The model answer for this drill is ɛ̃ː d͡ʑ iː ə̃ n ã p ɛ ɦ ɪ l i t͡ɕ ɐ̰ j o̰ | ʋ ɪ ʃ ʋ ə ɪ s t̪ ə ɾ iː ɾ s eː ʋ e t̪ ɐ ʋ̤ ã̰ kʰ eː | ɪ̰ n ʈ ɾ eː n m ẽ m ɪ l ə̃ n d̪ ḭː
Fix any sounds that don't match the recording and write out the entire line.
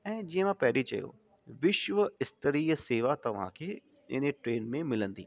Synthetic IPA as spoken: ɛ̃ː d͡ʑ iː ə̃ m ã p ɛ ɦ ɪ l i t͡ɕ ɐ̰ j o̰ | ʋ ɪ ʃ ʋ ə ɪ s t̪ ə ɾ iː s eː ʋ a t̪ ɐ ʋ̤ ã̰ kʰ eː | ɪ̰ n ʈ ɾ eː n m ẽ m ɪ l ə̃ n d̪ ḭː